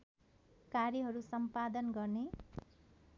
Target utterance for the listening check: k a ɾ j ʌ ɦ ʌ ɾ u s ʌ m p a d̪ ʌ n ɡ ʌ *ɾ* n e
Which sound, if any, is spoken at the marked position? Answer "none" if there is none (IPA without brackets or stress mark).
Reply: r